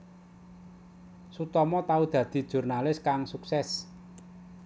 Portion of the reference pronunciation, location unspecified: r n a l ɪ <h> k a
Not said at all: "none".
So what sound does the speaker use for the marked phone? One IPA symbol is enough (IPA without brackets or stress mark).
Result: s